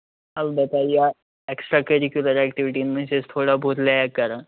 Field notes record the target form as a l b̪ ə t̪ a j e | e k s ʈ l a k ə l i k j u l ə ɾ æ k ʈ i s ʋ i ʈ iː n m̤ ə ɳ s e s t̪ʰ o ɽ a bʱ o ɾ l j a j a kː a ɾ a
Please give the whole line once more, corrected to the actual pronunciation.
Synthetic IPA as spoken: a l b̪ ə t̪ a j a | e k s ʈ ɾ a k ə ɾ i k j u l ə ɾ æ k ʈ i ʋ i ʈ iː n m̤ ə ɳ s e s t̪ʰ o ɽ a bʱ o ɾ l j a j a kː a ɾ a